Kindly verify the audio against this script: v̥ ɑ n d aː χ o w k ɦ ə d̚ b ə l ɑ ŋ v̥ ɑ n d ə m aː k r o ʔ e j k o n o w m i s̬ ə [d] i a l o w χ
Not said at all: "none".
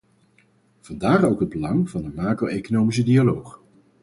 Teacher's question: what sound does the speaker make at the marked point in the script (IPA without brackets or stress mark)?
d